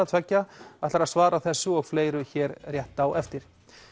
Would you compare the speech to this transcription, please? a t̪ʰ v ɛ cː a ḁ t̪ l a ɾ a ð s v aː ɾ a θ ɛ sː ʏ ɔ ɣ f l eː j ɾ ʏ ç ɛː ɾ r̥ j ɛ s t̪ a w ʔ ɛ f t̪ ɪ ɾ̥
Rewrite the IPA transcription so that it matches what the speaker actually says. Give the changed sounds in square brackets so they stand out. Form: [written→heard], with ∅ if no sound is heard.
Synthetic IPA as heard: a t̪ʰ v ɛ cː a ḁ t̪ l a ɾ a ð s v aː ɾ a θ ɛ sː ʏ ɔ ɣ f l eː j ɾ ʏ ç ɛː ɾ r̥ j ɛ [s→h] t̪ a w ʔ ɛ f t̪ ɪ ɾ̥